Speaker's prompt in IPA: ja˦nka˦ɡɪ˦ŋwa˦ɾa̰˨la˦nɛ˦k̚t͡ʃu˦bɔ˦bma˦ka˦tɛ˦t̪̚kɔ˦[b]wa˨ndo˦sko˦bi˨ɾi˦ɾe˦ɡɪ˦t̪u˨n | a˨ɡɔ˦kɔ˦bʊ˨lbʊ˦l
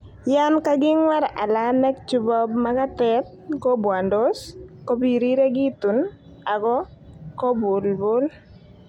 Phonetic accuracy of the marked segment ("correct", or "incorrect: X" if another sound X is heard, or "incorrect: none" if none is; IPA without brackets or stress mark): correct